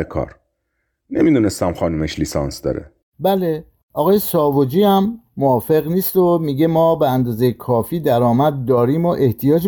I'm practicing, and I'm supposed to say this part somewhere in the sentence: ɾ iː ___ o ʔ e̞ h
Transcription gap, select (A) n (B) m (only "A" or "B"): B